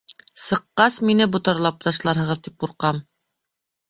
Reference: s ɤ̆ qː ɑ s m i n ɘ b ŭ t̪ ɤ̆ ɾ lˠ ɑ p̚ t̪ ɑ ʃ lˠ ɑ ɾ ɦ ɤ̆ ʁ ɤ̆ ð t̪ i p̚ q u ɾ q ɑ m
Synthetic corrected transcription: s ɤ̆ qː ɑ s m i n ɘ b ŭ t̪ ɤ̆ ɾ lˠ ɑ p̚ t̪ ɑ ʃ lˠ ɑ ɾ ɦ ɤ̆ ʁ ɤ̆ ð t̪ i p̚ q u ɾ q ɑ m